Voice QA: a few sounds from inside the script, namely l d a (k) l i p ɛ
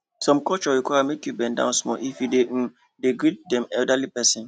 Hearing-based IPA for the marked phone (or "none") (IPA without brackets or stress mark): none